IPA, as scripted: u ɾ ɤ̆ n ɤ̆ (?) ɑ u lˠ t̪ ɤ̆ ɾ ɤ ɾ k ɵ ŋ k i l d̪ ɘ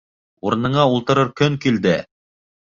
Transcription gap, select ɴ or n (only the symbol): ɴ